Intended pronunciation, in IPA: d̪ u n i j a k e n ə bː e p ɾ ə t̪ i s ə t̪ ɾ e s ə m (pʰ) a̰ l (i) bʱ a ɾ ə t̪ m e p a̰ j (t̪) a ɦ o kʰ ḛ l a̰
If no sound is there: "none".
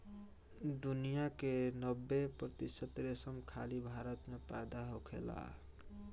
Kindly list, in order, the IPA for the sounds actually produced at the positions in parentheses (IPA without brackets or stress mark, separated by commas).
kʰ, i, d̪